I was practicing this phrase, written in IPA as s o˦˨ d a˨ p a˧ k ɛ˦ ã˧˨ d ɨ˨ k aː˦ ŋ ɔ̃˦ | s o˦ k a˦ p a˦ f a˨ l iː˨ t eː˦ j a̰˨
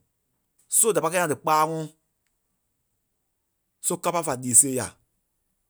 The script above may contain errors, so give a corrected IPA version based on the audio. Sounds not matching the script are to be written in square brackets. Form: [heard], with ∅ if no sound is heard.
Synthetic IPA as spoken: s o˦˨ d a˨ p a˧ k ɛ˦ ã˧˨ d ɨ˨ [k͡p] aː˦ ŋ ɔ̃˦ | s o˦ k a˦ p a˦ f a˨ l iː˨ [s] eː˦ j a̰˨